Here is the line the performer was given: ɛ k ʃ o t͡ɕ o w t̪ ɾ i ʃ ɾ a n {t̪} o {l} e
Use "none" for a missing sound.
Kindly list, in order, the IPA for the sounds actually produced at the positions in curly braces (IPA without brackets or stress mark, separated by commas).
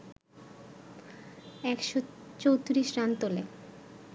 t̪, l